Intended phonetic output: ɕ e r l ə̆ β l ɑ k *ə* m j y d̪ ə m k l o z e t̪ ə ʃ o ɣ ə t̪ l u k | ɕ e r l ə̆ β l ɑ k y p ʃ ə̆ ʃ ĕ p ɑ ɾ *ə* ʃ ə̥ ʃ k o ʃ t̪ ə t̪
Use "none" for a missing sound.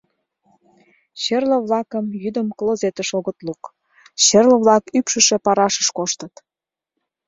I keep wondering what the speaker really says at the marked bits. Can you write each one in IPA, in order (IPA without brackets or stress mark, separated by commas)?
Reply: ə, ɑ